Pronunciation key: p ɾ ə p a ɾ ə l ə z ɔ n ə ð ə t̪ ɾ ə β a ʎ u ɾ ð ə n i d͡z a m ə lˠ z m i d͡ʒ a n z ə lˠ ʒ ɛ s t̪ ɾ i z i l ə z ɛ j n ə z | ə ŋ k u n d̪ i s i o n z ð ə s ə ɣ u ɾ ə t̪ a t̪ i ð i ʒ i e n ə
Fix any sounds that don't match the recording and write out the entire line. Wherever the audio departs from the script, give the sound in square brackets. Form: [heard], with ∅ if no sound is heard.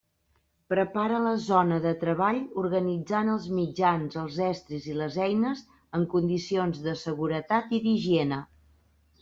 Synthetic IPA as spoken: p ɾ ə p a ɾ ə l ə z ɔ n ə ð ə t̪ ɾ ə β a ʎ u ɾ [ɣ] ə n i d͡z a [n] ə lˠ z m i d͡ʒ a n z ə lˠ [z] ɛ s t̪ ɾ i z i l ə z ɛ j n ə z | ə ŋ k u n d̪ i s i o n z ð ə s ə ɣ u ɾ ə t̪ a t̪ i ð i ʒ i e n ə